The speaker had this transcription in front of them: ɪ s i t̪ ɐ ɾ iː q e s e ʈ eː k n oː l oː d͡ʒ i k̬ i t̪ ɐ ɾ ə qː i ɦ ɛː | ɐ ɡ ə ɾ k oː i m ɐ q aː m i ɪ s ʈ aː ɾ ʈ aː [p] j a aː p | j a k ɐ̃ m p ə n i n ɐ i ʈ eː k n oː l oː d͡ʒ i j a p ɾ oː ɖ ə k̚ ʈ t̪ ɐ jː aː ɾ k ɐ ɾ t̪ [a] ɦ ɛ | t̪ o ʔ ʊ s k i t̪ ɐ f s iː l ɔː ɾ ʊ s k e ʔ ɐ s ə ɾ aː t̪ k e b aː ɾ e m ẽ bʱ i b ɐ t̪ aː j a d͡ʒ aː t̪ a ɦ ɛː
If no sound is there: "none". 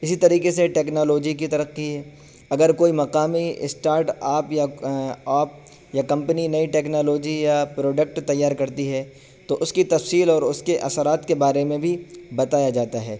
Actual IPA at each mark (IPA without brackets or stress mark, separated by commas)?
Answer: p, i